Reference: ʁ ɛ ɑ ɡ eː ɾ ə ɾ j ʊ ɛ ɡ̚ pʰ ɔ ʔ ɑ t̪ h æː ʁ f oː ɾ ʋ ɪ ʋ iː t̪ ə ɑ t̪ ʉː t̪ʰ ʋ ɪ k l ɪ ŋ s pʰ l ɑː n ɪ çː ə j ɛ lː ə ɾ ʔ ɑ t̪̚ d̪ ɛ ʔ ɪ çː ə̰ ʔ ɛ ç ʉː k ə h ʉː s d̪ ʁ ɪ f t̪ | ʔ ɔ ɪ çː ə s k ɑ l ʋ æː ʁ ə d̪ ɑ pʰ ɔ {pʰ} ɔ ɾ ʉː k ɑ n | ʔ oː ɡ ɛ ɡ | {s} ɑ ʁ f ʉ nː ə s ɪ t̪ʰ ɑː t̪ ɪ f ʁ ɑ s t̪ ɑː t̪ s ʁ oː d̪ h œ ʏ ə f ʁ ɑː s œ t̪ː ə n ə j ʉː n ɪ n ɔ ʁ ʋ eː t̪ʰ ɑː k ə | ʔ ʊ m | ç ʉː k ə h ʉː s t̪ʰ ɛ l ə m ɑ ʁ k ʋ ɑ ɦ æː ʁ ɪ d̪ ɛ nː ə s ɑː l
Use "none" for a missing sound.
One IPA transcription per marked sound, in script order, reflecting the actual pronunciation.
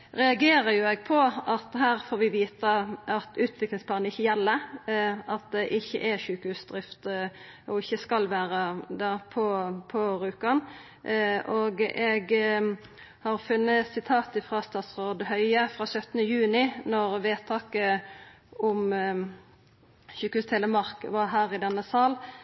pʰ, h

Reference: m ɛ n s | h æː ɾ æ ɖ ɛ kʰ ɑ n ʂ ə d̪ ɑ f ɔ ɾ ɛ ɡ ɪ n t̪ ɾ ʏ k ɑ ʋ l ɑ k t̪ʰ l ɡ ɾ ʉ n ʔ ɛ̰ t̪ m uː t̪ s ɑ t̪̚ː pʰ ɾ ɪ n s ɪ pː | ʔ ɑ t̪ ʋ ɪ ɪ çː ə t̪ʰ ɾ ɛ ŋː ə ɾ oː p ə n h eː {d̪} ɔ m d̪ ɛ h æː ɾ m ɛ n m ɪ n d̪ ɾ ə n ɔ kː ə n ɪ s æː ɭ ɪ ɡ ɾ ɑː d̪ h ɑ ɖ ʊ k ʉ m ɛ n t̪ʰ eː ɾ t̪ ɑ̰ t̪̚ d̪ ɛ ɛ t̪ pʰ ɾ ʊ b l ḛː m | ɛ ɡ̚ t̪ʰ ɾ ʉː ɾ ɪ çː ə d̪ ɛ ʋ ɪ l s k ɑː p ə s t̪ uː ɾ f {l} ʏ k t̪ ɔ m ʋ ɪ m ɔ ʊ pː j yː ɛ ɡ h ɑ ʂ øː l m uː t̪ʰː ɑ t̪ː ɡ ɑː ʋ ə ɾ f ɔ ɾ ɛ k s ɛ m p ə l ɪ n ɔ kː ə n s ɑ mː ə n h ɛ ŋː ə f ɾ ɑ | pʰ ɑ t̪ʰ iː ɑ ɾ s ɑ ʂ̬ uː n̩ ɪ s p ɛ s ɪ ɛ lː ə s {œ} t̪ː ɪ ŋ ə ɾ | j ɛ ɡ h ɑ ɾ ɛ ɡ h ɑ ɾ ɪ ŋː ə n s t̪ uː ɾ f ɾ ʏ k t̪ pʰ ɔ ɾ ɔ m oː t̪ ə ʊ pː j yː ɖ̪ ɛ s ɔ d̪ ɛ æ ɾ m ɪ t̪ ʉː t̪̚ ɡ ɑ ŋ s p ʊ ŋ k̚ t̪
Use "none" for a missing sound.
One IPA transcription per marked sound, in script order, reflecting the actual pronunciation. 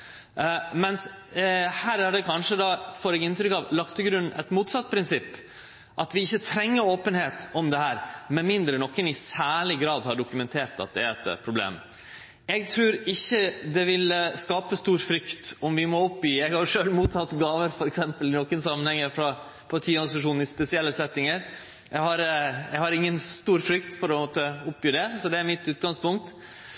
t̪, ɾ, ɛ

